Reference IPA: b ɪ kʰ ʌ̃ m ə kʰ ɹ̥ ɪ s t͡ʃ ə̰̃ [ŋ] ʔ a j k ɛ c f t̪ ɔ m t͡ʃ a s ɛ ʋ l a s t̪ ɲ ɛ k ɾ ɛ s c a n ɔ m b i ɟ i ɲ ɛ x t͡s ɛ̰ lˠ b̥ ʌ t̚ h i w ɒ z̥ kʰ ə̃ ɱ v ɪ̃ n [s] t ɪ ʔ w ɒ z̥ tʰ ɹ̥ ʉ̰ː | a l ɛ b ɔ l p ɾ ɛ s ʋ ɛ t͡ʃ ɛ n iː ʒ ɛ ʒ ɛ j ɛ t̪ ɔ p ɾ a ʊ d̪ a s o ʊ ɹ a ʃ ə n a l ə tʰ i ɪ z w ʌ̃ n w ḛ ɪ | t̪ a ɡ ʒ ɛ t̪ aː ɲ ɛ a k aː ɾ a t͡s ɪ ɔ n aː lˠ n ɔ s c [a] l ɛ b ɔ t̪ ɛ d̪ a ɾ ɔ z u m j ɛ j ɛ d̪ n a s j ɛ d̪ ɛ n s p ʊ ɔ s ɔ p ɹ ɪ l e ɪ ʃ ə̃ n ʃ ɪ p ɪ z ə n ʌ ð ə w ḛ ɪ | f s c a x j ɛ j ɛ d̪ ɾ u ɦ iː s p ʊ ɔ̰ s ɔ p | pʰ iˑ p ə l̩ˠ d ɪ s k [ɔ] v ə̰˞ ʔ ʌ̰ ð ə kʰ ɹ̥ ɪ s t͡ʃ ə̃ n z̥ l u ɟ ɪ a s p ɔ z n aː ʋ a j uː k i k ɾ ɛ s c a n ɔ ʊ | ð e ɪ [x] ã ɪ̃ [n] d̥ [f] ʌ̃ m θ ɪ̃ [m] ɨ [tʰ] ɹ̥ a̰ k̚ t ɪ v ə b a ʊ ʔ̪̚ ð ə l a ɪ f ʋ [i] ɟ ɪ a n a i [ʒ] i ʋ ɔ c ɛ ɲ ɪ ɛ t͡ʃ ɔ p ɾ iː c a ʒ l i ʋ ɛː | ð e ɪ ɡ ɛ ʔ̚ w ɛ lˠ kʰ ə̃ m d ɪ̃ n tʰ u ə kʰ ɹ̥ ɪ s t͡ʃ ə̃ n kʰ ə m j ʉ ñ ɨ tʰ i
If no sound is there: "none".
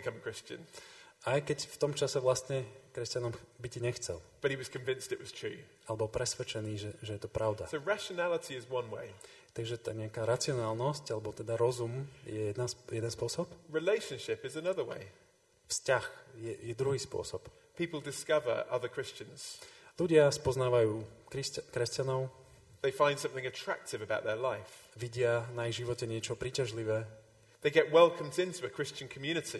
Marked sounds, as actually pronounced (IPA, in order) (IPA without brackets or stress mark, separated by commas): n, s, a, ʌ, f, n, s, ŋ, tʰ, i, ʒ